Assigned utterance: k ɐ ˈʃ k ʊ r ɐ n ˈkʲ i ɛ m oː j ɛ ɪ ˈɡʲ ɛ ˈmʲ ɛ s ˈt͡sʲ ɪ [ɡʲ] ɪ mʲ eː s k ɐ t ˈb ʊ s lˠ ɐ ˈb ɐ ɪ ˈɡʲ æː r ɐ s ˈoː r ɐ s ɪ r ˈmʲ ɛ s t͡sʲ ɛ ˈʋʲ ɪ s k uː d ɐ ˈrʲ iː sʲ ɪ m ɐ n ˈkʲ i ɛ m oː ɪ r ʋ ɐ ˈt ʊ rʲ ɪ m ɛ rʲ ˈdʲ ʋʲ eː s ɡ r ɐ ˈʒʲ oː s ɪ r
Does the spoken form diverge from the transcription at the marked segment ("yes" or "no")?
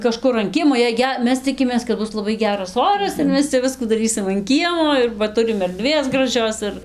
yes